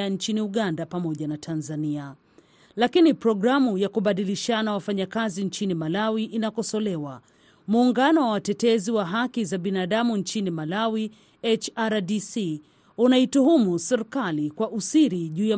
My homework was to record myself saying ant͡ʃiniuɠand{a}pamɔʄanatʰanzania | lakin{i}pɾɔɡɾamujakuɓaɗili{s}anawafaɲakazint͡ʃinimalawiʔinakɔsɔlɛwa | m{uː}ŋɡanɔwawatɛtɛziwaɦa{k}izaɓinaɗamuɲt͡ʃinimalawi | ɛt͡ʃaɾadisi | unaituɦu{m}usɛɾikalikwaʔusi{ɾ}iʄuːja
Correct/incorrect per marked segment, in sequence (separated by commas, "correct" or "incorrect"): correct, correct, incorrect, correct, correct, correct, correct